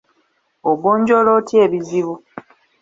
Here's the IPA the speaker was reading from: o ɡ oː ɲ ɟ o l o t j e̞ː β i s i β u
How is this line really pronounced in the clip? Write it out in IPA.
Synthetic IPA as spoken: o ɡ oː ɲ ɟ o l o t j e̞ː β i z i β u